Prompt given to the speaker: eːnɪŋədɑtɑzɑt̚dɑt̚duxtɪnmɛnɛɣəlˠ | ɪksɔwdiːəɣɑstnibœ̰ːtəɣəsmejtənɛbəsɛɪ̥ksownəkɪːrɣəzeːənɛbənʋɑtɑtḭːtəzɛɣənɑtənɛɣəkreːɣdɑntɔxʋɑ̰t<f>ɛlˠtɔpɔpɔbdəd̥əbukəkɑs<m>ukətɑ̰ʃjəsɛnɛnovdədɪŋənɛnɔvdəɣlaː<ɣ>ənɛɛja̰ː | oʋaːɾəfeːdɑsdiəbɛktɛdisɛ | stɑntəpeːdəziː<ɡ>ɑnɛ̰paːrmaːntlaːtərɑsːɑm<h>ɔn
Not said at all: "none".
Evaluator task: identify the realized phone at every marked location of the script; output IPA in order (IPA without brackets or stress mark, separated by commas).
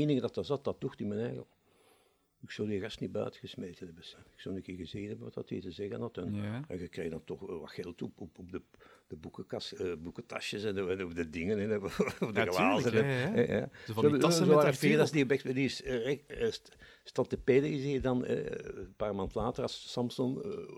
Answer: x, b, z, d, s